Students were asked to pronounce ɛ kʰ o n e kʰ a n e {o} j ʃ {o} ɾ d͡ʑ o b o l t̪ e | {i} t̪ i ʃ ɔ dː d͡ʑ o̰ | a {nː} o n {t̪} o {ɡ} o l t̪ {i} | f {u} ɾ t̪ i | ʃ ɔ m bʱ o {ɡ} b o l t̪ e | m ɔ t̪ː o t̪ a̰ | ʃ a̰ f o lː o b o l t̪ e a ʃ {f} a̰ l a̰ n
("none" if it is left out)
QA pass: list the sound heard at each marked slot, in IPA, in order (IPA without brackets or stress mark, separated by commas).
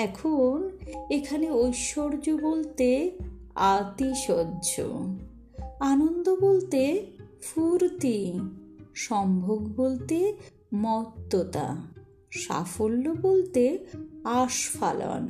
o, o, a, n, d̪, b, e, u, ɡ, f